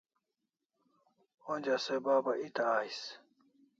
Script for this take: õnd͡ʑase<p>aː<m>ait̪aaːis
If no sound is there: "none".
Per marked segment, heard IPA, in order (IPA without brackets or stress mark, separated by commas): b, b